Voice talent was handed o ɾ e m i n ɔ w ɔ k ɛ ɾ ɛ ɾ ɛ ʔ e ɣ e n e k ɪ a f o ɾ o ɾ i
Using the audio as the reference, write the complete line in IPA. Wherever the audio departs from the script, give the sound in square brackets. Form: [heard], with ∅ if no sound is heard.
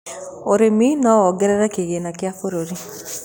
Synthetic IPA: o ɾ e m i n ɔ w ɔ [ɡ] ɛ ɾ ɛ ɾ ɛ [k] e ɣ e n [a] k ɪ a f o ɾ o ɾ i